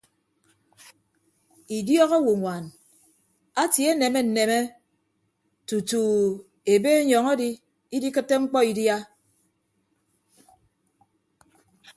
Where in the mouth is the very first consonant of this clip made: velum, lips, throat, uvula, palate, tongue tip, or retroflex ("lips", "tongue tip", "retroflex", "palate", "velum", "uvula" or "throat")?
tongue tip